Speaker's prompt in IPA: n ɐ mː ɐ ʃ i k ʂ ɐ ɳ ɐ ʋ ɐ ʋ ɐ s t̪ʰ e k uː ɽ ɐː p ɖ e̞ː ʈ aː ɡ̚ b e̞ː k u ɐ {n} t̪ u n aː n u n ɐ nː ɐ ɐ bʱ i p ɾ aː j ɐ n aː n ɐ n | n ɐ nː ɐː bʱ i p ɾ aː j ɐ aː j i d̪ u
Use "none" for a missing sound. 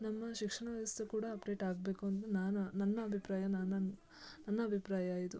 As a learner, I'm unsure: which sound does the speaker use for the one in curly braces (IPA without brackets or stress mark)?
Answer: n